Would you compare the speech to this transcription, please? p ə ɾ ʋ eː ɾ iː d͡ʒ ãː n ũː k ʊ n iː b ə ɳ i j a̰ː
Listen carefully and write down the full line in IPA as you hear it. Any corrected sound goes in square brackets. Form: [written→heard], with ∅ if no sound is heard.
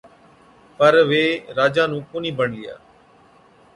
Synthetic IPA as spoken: p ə ɾ ʋ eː ɾ [iː→aː] d͡ʒ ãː n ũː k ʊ n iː b ə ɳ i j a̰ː